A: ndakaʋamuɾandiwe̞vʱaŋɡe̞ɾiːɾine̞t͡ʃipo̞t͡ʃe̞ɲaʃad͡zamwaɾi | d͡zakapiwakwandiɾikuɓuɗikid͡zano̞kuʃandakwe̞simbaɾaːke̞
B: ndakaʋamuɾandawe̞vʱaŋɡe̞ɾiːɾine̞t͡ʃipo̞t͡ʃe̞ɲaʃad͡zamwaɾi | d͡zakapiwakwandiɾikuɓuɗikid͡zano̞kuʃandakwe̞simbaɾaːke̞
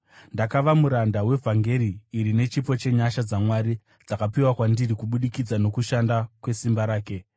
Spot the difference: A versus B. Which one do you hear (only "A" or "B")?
B